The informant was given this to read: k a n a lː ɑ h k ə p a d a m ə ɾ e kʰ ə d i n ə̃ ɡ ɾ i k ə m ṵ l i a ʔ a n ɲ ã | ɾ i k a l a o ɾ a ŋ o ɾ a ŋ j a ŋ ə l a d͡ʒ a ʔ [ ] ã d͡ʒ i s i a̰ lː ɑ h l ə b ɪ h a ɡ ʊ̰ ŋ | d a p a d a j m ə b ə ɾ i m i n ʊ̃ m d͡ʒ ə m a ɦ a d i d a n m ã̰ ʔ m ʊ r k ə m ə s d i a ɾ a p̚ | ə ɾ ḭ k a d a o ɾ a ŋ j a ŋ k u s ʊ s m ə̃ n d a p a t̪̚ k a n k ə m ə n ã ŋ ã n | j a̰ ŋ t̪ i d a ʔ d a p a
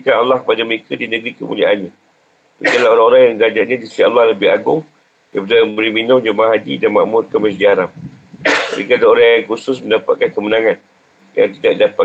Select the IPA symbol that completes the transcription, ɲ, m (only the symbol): ɲ